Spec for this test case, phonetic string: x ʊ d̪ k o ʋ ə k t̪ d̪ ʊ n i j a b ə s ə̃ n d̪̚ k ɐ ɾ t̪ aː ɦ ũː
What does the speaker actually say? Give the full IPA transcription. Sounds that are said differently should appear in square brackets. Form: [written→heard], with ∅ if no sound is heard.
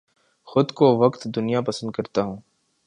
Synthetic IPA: x ʊ d̪ k o ʋ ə k t̪ d̪ ʊ n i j a [b→p] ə s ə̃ n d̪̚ k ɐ ɾ t̪ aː ɦ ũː